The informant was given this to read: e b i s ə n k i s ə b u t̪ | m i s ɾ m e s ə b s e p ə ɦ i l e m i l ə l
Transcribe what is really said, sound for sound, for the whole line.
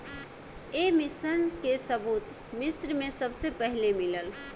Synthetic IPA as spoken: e m i s ə n k e s ə b u t̪ | m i s ɾ m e s ə b s e p ə ɦ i l e m i l ə l

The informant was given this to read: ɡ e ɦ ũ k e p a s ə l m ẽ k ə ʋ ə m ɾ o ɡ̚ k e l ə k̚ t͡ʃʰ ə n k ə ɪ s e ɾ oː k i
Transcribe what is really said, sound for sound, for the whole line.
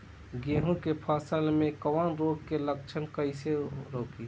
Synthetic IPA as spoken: ɡ e ɦ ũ k e pʰ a s ə l m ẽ k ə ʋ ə n ɾ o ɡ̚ k e l ə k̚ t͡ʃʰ ə n k ə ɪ s e ɾ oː k i

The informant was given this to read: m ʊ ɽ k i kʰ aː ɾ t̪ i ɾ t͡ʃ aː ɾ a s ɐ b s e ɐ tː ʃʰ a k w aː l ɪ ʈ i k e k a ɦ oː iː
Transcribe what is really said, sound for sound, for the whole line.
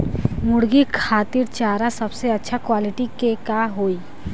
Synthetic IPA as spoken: m ʊ ɽ ɡ i kʰ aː t̪ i ɾ t͡ʃ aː ɾ a s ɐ b s e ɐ tː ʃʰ a k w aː l ɪ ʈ i k e k a ɦ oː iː

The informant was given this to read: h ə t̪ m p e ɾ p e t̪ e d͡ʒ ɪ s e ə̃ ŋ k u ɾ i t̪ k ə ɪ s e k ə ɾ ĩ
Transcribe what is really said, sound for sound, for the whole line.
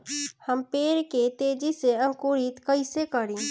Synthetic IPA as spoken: h ə m p e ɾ k e t̪ e d͡ʒ i s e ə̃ ŋ k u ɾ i t̪ k ə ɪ s e k ə ɾ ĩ

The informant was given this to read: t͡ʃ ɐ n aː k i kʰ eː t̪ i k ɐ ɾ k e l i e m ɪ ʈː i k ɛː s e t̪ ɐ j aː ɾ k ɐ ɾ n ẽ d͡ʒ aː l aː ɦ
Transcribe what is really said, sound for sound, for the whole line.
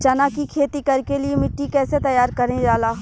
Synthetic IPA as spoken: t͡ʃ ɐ n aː k i kʰ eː t̪ i k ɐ ɾ k e l i e m ɪ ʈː i k ɛː s e t̪ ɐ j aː ɾ k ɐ ɾ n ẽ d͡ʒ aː l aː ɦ

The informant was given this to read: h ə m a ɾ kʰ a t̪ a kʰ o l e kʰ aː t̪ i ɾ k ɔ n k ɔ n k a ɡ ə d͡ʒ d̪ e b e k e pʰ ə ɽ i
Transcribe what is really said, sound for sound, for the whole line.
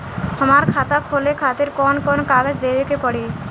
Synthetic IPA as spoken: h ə m a ɾ kʰ a t̪ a kʰ o l e kʰ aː t̪ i ɾ k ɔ n k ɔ n k a ɡ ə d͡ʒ d̪ e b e k e p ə ɽ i

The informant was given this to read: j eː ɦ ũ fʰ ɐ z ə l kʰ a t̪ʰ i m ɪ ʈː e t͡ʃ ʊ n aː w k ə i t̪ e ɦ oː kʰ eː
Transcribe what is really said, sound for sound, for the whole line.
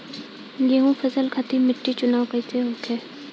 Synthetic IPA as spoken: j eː ɦ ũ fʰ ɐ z ə l kʰ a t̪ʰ i m ɪ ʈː i t͡ʃ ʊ n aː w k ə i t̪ e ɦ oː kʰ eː

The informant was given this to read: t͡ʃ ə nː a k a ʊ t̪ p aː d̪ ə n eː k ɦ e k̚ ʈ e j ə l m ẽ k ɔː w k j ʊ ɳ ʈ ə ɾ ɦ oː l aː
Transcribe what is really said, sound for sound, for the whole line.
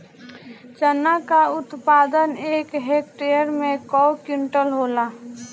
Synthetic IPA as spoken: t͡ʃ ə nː a k a ʊ t̪ p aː d̪ ə n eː k ɦ e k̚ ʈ e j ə ɾ m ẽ k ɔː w k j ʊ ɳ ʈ ə l ɦ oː l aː

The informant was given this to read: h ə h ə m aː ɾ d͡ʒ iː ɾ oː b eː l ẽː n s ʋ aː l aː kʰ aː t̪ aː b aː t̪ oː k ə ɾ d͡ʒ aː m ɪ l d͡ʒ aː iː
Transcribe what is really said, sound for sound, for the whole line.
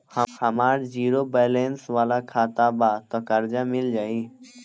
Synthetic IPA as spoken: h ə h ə m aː ɾ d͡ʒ iː ɾ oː b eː l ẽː n s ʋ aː l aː kʰ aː t̪ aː b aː t̪ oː k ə ɾ d͡ʒ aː m ɪ l d͡ʒ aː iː

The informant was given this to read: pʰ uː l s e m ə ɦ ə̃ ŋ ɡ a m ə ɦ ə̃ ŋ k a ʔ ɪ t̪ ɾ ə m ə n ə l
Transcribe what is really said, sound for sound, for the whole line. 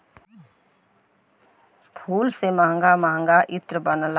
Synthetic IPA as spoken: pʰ uː l s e m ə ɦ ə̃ ŋ ɡ a m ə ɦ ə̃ ŋ ɡ a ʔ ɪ t̪ ɾ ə b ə n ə l

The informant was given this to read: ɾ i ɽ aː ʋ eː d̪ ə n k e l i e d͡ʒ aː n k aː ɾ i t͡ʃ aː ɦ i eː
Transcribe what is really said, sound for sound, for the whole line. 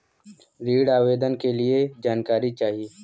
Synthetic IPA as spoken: ɾ iː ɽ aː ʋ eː d̪ ə n k e l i e d͡ʒ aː n k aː ɾ i t͡ʃ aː ɦ i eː

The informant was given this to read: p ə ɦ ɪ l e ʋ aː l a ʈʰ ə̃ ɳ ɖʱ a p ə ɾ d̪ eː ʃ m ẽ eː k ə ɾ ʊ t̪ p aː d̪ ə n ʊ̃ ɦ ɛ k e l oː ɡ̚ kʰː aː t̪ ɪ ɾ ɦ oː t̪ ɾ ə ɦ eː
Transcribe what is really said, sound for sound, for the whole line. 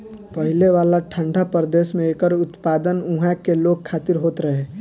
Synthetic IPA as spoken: p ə ɦ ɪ l e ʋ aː l a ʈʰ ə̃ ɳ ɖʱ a p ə ɾ d̪ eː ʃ m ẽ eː k ə ɾ ʊ t̪ p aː d̪ ə n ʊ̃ ɦ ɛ k e l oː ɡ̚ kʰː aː t̪ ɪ ɾ ɦ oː t̪ ɾ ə ɦ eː

